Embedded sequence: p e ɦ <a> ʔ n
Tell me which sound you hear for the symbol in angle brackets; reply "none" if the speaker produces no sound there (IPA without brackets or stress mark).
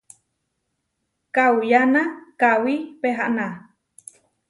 a